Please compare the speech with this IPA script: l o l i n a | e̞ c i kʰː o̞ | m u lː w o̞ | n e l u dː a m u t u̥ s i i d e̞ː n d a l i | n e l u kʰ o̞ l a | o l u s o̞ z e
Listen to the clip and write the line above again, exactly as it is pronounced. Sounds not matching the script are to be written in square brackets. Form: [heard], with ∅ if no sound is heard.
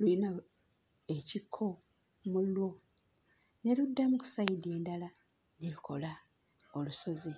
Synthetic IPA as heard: l [u] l i n a | e̞ c i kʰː o̞ | m u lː w o̞ | n e l u dː a m u [k] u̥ s [a] i d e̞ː n d a l [a] | n e l u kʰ o̞ l a | o l u s o̞ z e